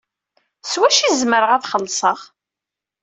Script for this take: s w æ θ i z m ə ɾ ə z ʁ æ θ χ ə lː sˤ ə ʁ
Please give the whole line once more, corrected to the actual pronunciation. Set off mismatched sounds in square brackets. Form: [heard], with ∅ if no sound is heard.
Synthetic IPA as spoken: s w æ [ʃ] i z m ə ɾ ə [∅] ʁ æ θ χ ə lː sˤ ə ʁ